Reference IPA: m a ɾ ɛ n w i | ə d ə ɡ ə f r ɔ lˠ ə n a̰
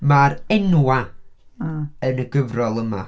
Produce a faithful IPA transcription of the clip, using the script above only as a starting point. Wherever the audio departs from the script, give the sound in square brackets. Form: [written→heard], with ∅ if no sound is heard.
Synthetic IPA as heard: m a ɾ ɛ n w [i→a] | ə [d→n] ə ɡ ə [f→v] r ɔ lˠ ə [n→m] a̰